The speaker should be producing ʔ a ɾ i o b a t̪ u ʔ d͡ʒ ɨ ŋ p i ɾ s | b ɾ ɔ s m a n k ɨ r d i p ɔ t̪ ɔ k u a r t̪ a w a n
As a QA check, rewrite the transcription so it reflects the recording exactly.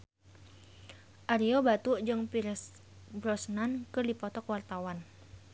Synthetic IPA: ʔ a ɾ i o b a t̪ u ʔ d͡ʒ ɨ ŋ p i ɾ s | b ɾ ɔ s n a n k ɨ r d i p ɔ t̪ ɔ k w a r t̪ a w a n